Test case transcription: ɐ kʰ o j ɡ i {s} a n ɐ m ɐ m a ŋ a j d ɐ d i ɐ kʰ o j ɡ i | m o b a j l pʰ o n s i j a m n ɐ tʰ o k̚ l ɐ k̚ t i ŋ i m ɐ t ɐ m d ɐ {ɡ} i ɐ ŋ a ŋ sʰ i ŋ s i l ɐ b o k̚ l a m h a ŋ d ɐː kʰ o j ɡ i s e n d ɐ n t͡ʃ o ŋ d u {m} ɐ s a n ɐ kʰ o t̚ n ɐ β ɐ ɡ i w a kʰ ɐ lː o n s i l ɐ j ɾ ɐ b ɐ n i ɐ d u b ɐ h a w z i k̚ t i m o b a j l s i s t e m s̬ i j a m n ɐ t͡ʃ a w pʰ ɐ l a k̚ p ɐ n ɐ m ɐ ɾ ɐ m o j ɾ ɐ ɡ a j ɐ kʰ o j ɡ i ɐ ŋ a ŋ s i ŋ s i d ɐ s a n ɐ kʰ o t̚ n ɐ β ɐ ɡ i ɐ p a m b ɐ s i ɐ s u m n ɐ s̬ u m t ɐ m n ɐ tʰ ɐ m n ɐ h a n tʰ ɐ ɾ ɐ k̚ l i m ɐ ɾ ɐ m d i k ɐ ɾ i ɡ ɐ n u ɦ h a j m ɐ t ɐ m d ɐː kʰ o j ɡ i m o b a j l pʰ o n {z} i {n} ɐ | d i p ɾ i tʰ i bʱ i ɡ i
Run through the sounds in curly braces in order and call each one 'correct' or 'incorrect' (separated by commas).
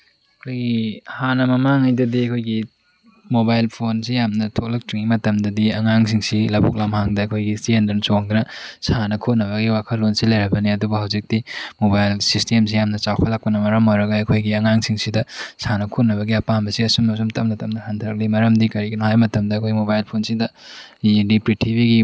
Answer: incorrect, incorrect, incorrect, incorrect, incorrect